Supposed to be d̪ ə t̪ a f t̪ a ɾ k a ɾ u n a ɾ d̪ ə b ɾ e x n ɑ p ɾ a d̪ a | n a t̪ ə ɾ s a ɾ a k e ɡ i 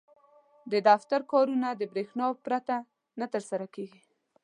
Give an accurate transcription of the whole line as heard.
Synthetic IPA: d̪ ə d̪ a f t̪ a ɾ k ɑ ɾ u n a d̪ ə b ɾ e x n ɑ p ɾ a t̪ a | n a t̪ ə ɾ s a ɾ a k e ɡ i

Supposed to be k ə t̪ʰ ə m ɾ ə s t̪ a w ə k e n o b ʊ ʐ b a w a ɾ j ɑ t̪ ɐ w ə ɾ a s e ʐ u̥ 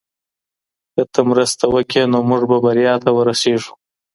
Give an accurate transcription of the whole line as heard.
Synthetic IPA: k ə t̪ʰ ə m ɾ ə s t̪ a w ə k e n o m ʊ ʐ b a b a ɾ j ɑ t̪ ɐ w ə ɾ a s e ʐ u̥

